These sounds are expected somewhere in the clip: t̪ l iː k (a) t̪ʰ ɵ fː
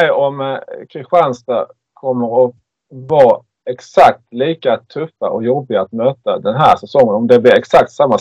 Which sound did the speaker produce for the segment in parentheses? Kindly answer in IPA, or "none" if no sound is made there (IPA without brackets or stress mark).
a